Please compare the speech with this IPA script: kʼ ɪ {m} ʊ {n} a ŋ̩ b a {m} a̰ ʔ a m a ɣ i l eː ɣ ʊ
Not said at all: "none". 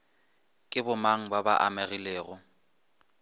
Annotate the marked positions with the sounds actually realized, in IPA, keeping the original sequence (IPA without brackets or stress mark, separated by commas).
b, m, b